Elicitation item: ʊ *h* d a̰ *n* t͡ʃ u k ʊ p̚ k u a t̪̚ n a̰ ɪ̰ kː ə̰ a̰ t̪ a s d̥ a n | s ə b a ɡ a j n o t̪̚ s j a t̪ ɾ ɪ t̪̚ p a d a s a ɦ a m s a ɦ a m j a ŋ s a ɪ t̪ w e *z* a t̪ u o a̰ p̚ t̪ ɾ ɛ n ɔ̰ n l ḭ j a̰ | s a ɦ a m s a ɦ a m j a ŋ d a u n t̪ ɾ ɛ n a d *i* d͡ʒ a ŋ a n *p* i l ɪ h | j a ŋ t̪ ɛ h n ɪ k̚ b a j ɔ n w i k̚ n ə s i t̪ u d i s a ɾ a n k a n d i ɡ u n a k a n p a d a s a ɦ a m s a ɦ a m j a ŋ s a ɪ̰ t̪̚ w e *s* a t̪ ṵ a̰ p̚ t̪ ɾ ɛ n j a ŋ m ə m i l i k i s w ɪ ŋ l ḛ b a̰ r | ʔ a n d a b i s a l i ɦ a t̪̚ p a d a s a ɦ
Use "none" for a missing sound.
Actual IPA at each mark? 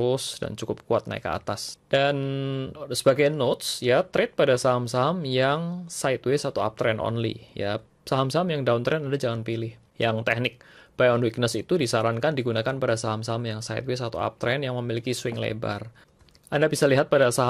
s, n, s, a, p, s

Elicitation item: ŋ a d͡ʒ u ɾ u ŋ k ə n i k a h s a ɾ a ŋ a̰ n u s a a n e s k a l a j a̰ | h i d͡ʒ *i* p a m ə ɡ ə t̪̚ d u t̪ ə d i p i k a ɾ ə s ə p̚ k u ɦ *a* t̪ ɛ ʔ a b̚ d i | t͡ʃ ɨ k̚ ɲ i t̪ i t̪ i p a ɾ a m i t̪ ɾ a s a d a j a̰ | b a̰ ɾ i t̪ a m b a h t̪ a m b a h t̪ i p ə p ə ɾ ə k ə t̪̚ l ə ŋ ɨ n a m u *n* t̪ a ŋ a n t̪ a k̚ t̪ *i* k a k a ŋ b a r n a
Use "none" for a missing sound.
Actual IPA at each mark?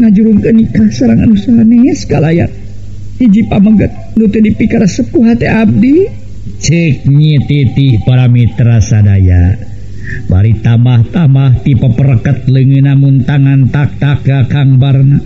i, a, n, a

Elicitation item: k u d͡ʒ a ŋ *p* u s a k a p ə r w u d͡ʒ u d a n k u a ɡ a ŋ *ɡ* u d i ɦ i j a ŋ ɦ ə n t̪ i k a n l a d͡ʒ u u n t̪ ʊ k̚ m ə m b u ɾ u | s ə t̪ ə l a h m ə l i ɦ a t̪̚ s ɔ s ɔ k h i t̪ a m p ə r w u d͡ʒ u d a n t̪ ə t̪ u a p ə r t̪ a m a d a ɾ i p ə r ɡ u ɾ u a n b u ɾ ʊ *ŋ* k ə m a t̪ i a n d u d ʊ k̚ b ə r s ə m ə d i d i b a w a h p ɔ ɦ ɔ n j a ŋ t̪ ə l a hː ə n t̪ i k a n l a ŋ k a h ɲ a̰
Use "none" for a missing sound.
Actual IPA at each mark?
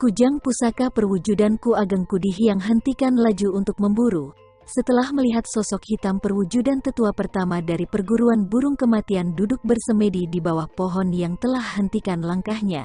p, k, ŋ

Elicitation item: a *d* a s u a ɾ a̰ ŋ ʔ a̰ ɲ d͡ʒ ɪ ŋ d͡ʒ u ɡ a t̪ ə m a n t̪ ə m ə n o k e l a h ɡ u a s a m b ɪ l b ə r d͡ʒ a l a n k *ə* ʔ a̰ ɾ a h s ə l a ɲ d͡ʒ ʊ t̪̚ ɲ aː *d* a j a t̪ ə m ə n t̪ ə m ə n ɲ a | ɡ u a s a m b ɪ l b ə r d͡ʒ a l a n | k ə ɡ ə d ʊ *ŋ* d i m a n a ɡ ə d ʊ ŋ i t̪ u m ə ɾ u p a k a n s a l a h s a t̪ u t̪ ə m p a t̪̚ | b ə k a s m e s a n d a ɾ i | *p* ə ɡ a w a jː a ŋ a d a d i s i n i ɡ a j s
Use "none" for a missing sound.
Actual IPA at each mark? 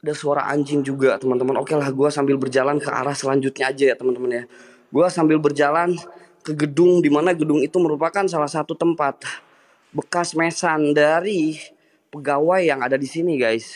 d, ə, d͡ʒ, ŋ, p

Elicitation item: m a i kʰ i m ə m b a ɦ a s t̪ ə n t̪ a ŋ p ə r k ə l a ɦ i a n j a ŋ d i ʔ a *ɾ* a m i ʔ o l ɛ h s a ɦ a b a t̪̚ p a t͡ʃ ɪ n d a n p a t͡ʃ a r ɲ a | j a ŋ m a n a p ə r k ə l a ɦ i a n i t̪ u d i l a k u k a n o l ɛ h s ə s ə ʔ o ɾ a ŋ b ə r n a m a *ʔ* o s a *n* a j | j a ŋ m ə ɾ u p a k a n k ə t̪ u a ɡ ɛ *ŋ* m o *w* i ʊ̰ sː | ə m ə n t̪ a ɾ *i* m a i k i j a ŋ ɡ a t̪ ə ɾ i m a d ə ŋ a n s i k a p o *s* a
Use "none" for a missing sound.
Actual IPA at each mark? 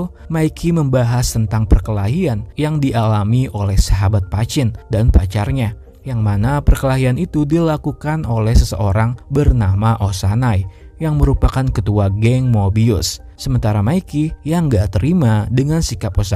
l, ʔ, n, ŋ, b, a, s

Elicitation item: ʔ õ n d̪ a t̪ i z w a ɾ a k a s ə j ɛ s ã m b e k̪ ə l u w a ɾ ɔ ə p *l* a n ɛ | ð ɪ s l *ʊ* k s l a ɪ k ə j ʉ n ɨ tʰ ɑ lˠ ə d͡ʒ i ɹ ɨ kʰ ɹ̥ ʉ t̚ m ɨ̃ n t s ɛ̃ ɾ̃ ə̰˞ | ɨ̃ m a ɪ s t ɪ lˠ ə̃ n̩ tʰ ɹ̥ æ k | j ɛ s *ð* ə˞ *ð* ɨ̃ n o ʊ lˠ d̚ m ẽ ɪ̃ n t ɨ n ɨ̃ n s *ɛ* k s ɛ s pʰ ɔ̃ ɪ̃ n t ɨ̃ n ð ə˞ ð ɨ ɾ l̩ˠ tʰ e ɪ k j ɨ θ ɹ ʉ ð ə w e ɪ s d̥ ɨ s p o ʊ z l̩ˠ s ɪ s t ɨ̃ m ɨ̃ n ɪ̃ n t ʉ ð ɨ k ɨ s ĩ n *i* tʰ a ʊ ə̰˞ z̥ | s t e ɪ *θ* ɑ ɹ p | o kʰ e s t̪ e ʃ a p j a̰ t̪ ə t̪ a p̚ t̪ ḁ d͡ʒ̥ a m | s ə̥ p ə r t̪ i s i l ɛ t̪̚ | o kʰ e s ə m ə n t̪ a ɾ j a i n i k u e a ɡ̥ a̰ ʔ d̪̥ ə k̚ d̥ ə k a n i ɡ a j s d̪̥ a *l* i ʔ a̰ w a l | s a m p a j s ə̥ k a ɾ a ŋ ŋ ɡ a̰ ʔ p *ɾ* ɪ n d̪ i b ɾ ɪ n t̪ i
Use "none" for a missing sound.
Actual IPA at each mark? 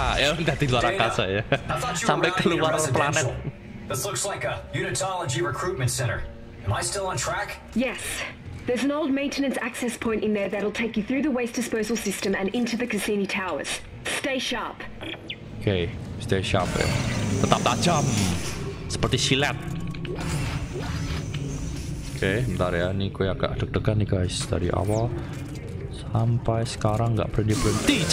l, ʊ, ð, z, æ, i, ʃ, ɾ, ɾ

